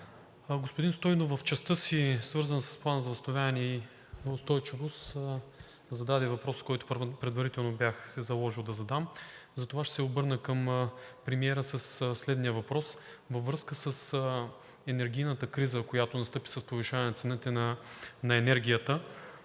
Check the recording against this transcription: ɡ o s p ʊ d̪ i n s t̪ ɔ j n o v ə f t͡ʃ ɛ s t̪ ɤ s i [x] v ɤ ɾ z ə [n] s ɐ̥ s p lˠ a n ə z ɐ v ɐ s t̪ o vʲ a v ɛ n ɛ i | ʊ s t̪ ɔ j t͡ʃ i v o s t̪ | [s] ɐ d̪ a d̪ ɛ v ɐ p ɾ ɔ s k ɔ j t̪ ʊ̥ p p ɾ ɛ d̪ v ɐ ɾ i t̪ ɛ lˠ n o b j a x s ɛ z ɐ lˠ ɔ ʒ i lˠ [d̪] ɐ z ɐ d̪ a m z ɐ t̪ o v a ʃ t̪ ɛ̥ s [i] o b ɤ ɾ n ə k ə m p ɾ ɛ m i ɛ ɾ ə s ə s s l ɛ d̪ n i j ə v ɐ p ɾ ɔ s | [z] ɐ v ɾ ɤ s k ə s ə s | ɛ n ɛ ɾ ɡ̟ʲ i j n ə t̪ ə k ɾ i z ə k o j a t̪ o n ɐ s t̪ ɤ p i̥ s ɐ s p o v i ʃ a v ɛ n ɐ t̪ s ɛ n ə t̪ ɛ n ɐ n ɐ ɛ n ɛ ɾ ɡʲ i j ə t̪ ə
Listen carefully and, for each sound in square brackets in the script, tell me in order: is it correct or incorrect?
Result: incorrect, correct, incorrect, correct, incorrect, incorrect

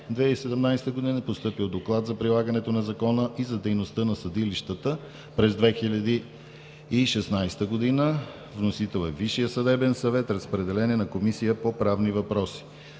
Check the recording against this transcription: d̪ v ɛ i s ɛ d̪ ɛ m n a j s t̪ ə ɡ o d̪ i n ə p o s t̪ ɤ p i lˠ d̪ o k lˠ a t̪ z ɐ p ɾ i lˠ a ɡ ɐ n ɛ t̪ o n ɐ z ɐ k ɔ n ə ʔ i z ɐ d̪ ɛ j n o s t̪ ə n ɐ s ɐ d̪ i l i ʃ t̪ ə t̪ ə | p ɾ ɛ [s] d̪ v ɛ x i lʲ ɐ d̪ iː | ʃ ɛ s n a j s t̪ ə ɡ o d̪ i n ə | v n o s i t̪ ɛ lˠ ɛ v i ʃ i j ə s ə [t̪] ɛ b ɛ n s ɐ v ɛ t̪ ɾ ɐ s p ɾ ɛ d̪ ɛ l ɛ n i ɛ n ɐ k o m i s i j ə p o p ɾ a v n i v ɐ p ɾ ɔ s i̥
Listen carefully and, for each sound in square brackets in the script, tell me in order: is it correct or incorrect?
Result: incorrect, incorrect

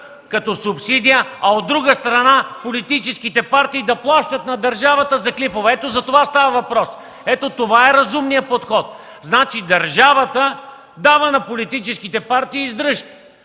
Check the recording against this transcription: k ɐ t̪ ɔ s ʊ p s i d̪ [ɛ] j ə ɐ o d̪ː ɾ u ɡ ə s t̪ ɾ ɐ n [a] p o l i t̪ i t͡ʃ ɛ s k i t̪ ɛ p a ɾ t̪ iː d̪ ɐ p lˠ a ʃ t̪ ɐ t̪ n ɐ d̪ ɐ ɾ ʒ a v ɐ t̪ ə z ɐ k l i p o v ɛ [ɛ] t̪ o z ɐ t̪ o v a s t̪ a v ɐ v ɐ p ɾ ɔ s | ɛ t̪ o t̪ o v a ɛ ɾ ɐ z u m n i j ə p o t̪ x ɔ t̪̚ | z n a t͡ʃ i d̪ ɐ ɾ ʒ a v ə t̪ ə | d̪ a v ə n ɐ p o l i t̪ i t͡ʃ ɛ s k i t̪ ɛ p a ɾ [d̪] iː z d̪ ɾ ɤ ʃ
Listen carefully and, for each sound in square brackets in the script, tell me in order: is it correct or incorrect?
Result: incorrect, correct, correct, incorrect

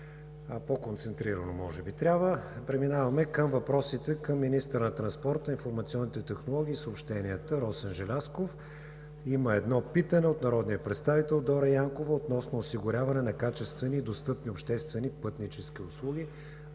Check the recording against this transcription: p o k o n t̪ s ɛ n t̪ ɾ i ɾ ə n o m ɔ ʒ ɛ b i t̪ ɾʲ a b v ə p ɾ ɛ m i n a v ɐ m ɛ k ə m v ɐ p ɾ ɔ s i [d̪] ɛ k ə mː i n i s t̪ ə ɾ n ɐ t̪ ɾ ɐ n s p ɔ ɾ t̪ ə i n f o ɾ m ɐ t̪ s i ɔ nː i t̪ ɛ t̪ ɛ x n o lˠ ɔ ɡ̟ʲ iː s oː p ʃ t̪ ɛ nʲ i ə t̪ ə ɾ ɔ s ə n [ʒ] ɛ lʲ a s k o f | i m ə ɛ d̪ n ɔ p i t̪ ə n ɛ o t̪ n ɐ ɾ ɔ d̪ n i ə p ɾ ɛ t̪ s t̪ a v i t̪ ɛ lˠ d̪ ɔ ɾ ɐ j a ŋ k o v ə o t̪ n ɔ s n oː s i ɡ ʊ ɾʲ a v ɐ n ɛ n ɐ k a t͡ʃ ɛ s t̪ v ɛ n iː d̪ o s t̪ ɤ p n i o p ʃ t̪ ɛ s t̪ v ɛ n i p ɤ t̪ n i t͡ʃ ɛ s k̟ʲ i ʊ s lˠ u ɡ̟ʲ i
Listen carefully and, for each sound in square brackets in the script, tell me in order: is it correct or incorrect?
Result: incorrect, correct

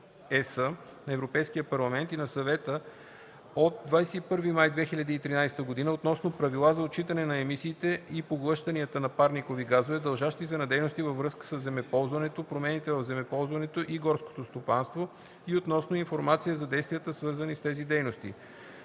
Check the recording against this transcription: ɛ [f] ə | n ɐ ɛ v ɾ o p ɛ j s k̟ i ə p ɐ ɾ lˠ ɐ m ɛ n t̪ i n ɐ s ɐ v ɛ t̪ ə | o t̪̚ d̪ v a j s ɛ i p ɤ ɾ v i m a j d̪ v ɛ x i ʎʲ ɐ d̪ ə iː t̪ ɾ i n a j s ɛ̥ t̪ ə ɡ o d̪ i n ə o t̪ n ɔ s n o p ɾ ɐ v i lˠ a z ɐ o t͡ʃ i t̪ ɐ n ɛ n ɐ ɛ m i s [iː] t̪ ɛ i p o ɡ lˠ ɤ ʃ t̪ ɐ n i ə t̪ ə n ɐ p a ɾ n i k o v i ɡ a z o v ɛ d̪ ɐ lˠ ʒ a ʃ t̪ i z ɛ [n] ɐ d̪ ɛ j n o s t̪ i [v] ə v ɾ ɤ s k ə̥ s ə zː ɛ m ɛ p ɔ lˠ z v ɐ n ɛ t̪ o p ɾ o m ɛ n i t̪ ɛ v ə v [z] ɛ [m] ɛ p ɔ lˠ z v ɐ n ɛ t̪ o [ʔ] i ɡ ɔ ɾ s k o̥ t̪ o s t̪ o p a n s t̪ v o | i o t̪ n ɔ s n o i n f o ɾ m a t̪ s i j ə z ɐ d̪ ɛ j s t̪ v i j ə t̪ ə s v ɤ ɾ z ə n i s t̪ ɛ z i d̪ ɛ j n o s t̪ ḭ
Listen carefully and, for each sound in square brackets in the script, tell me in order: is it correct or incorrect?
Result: incorrect, correct, correct, correct, correct, correct, correct

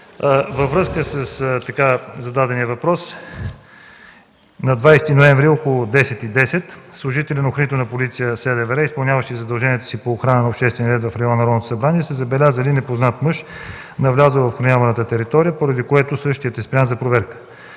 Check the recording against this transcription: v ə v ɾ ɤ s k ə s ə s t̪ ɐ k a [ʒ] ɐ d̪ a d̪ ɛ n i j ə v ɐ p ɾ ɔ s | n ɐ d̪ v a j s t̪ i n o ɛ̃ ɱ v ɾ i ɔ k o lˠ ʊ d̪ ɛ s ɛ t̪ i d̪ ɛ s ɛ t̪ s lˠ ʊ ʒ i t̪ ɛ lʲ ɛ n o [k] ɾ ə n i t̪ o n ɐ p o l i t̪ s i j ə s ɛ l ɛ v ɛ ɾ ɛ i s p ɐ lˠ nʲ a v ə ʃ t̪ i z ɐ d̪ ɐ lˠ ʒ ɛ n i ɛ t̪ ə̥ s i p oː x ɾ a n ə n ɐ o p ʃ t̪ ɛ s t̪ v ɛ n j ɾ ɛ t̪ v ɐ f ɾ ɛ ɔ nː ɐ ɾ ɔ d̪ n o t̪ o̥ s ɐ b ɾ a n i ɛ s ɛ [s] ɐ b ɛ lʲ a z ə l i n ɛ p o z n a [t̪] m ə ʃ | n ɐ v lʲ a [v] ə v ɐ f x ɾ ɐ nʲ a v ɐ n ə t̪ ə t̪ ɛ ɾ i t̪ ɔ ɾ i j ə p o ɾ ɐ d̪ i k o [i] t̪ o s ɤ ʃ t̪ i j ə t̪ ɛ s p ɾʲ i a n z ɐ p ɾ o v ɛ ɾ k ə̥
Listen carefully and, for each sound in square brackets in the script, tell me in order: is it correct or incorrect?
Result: incorrect, incorrect, incorrect, correct, incorrect, incorrect

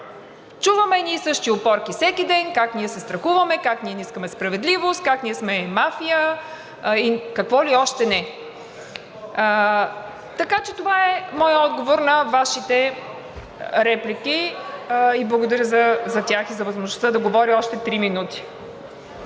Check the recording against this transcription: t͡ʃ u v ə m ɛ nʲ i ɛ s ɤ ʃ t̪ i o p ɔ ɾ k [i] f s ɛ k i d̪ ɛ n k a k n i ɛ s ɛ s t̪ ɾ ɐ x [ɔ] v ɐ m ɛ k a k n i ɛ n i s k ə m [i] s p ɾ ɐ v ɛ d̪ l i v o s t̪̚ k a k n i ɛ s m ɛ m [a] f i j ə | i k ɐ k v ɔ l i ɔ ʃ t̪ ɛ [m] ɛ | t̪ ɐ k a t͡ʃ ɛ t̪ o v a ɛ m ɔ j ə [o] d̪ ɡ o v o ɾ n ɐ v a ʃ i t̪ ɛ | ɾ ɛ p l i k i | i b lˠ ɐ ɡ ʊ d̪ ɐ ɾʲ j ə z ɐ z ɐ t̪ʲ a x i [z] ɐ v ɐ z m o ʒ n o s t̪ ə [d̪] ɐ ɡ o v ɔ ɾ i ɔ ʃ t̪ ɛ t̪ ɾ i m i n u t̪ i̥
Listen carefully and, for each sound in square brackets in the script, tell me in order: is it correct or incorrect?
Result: correct, incorrect, incorrect, correct, incorrect, incorrect, correct, correct

